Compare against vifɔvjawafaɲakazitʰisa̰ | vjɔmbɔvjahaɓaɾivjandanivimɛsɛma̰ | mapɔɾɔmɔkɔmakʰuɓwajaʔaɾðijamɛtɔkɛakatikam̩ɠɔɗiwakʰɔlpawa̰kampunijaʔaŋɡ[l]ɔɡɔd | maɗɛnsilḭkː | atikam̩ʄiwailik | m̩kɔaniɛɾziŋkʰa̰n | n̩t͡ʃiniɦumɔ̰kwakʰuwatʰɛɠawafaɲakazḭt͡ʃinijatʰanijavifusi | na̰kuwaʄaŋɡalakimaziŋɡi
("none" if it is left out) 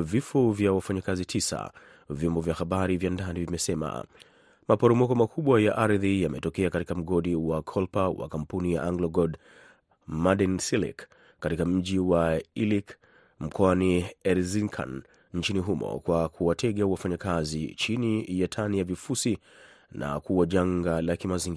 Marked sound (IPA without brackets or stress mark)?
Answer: l